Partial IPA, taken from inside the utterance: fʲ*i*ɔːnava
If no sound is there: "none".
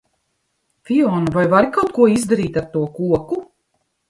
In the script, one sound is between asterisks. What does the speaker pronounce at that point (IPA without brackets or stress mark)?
i